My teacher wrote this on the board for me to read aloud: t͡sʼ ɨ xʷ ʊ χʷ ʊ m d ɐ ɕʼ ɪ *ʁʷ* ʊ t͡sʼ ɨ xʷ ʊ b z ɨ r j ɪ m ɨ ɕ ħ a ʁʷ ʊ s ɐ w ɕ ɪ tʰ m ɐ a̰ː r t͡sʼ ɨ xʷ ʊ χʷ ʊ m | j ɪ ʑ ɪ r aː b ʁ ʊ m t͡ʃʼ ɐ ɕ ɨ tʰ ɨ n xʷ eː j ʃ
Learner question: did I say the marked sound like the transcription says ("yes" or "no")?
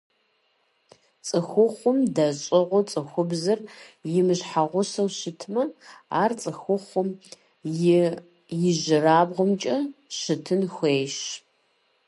yes